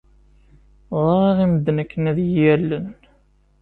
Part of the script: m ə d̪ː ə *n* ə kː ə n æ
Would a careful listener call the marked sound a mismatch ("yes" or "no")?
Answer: no